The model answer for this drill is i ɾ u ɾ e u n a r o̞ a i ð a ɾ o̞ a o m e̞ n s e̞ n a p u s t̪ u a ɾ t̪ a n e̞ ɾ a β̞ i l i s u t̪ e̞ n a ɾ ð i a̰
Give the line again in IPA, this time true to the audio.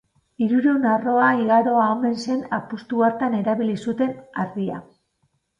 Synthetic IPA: i ɾ u ɾ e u n a r o̞ a i ɣ a ɾ o̞ a o m e̞ n s e̞ n a p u s t̪ u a ɾ t̪ a n e̞ ɾ a β̞ i l i s u t̪ e̞ n a ɾ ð i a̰